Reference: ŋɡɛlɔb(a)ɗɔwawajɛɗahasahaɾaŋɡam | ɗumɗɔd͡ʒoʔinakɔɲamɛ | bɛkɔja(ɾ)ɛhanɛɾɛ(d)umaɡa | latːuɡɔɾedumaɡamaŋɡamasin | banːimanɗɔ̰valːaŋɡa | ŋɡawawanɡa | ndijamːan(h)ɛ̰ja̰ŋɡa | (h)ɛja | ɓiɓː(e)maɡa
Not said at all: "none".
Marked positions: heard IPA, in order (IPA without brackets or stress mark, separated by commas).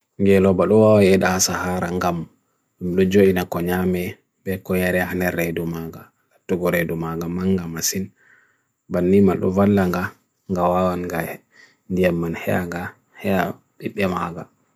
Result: a, ɾ, d, h, h, ɛ